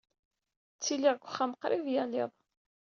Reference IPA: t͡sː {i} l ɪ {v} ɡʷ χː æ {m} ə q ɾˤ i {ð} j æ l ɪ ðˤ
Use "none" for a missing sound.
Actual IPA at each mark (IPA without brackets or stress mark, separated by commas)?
i, ʁ, m, v